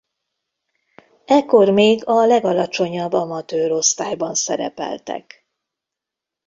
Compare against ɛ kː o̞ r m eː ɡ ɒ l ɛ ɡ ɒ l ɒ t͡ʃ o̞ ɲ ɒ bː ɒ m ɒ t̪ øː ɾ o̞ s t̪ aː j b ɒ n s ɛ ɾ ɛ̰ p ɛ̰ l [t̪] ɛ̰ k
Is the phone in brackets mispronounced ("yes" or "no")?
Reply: no